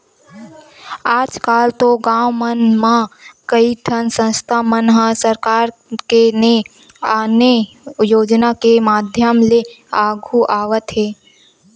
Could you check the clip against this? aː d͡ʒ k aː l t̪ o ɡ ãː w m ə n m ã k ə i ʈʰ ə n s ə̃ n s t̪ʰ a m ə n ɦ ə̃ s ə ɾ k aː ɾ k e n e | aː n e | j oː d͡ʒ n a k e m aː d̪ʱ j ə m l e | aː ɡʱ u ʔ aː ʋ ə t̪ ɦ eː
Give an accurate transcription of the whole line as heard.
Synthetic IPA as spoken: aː d͡ʒ k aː l t̪ o ɡ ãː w m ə n m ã k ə i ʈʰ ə n s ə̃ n s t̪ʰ a m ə n ɦ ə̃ s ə ɾ k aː ɾ k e n e | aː n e | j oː d͡ʒ n a k e m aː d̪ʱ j ə m l e | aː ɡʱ u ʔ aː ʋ ə t̪ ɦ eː